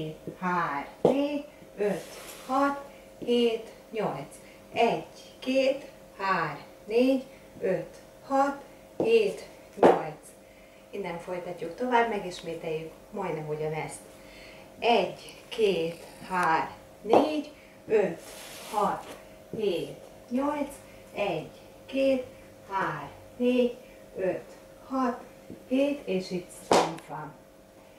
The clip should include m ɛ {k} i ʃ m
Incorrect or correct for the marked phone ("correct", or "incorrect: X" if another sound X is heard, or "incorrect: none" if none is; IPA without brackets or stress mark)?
incorrect: ɡ